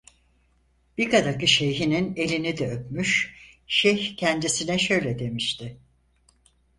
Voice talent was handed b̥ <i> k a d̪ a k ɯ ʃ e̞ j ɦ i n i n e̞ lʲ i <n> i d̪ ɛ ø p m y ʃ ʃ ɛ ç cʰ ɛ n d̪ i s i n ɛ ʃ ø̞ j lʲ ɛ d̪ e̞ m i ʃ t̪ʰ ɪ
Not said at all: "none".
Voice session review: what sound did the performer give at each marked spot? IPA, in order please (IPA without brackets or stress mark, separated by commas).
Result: i, n